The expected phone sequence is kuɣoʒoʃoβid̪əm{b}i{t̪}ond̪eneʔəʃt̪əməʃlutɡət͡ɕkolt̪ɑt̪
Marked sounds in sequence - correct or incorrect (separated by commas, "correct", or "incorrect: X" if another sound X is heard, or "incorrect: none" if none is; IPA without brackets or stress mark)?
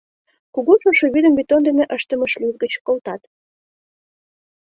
correct, correct